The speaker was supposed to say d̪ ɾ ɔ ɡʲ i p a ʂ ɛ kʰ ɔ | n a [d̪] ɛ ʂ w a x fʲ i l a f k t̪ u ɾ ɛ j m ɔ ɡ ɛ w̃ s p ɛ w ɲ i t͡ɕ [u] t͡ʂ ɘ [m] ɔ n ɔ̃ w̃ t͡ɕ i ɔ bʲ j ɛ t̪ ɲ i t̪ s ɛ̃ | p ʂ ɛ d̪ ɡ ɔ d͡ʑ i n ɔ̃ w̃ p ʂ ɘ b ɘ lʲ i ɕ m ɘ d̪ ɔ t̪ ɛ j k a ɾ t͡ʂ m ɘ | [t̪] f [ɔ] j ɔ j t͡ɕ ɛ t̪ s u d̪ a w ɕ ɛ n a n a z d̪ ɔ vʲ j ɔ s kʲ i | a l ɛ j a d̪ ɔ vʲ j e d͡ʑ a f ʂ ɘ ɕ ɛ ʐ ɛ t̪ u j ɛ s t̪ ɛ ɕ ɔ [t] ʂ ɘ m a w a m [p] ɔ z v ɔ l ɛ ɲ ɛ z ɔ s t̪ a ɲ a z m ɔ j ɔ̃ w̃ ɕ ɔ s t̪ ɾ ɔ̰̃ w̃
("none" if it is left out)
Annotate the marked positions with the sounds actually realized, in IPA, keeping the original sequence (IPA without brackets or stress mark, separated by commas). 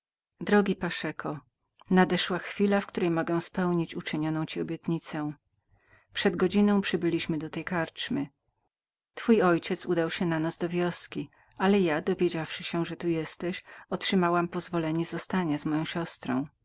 d̪, u, ɲ, t̪, u, t, p